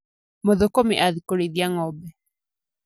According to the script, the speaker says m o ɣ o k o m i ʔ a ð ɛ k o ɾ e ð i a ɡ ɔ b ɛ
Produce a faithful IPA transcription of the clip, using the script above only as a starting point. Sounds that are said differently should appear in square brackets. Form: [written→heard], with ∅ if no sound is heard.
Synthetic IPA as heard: m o [ɣ→ð] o k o m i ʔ a ð [ɛ→i] k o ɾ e ð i a [ɡ→ŋ] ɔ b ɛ

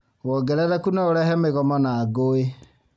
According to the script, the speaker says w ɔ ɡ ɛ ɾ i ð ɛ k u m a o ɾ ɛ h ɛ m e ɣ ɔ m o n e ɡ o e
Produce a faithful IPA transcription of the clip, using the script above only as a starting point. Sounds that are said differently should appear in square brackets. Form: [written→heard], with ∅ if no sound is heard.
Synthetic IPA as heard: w ɔ ɡ ɛ ɾ [i→ɛ] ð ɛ k u [m→n] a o ɾ ɛ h ɛ m e ɣ ɔ m [o→ɔ] n [e→a] ɡ o e

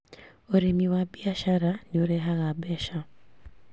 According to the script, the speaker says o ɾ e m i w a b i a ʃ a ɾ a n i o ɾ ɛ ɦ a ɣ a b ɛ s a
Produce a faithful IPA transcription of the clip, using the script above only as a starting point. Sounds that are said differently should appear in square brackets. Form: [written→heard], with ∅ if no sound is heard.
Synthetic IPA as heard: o ɾ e m i w a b i a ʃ a ɾ a n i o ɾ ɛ ɦ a ɣ a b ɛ [s→ʃ] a

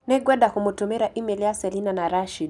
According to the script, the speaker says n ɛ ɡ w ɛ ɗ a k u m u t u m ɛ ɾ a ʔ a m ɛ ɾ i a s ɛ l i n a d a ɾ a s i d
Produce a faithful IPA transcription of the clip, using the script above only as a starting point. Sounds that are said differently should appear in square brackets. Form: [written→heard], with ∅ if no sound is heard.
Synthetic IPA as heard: n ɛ ɡ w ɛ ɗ a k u m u t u m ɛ ɾ a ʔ [a→i] m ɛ [ɾ→l] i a s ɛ l i n a [d→n] a ɾ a [s→ʃ] i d

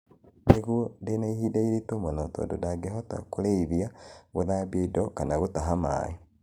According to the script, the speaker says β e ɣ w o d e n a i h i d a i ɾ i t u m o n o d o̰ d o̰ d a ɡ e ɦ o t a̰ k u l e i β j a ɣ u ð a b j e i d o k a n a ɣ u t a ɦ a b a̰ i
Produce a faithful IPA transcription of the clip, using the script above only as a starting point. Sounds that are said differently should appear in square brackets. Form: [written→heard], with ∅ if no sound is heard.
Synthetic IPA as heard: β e ɣ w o d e n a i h i d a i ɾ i t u m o n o [d→t] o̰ d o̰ d a ɡ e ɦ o t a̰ k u l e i β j a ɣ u ð a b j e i d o k a n a ɣ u t a ɦ a [b→m] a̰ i

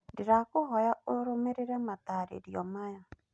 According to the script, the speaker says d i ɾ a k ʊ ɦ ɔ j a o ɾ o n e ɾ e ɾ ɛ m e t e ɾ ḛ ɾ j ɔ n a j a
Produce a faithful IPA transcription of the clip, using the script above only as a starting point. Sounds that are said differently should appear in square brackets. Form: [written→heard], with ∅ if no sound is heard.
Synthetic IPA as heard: d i ɾ a k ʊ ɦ ɔ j a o ɾ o [n→m] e ɾ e ɾ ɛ m [e→a] t [e→a] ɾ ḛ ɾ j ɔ [n→m] a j a

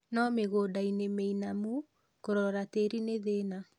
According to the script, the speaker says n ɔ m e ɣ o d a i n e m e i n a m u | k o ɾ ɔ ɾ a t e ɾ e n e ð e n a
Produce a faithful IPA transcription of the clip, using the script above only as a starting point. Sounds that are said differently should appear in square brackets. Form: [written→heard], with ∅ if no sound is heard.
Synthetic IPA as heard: n ɔ m e ɣ o d a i n e m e i n a m u | k o ɾ ɔ ɾ a t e ɾ [e→i] n e ð e n a

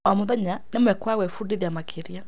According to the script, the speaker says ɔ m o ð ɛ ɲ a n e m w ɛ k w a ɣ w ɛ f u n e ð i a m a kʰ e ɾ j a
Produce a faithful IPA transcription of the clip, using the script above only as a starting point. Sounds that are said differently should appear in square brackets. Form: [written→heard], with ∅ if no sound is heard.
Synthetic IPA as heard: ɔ m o ð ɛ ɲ a n e m w ɛ k w a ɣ w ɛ f u [n→d] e ð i a m a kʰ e ɾ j a

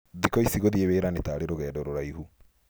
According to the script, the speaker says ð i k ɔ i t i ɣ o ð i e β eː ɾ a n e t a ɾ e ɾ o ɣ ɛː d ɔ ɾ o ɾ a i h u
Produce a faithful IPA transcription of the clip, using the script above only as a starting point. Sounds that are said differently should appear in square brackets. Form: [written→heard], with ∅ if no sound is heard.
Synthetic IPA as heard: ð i k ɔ i [t→s] i ɣ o ð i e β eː ɾ a n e t a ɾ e ɾ o ɣ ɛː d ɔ ɾ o ɾ a i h u

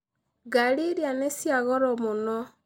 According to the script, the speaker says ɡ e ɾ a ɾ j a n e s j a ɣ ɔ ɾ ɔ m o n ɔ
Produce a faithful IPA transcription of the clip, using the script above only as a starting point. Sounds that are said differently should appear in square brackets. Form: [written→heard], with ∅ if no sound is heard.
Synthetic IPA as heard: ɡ [e→a] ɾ [a→i] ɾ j a n e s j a ɣ ɔ ɾ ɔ m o n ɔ

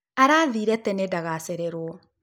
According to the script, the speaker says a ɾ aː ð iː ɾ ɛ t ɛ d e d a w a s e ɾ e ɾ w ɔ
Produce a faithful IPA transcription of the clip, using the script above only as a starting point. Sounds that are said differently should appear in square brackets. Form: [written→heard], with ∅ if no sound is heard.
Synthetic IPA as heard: a ɾ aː ð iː ɾ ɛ t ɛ [d→n] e d a [w→ɣ] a s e ɾ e ɾ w ɔ

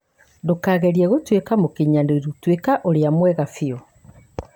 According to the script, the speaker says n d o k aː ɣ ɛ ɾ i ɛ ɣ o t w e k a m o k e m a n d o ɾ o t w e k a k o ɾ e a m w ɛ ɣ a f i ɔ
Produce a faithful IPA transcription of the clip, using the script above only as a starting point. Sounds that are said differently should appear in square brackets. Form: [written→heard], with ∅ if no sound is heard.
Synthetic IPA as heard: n d o k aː ɣ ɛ ɾ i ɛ ɣ o t w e k a m o k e [m→ɲ] a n d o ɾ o t w e k a [k→ʔ] o ɾ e a m w ɛ ɣ a f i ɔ

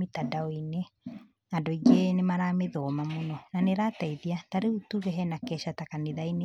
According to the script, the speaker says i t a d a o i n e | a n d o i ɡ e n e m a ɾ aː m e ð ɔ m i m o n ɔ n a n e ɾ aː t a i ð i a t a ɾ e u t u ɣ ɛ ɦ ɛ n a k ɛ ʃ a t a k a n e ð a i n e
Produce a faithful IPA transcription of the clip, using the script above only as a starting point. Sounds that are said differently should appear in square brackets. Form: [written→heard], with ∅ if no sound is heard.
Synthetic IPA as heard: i t a d a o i n e | a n d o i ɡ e n e m a ɾ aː m e ð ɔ m [i→a] m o n ɔ n a n e ɾ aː t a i ð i a t a ɾ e u t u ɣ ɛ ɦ ɛ n a k ɛ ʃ a t a k a n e ð a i n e

